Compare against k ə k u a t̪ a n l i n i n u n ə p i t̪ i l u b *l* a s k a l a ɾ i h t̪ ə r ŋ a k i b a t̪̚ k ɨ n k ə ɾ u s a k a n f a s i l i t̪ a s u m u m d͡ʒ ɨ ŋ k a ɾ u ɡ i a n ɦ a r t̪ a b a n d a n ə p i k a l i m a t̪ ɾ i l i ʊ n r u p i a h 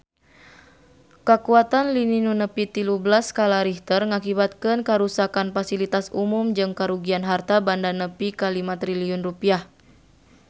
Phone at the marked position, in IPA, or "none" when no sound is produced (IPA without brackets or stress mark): l